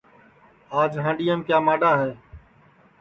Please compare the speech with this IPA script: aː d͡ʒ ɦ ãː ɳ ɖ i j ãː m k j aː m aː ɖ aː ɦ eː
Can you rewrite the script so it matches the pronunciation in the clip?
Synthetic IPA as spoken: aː d͡ʒ ɦ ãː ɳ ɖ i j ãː m k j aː m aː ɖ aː ɦ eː